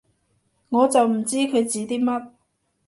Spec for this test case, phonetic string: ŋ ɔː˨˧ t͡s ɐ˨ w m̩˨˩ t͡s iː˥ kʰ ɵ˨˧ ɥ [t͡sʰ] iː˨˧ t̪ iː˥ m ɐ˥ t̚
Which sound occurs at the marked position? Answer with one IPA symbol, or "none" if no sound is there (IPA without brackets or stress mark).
t͡s